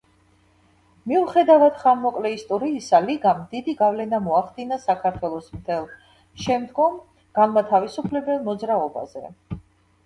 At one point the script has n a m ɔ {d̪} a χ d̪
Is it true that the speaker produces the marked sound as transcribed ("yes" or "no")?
no